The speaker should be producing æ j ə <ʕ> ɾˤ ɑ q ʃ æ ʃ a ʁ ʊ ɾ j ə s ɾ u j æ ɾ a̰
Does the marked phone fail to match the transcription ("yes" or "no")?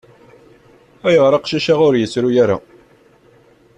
yes